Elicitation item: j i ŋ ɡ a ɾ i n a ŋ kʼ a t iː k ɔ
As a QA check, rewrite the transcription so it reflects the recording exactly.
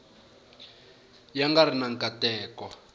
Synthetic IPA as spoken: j a ŋ ɡ a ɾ i n a ŋ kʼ a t ɛː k ɔ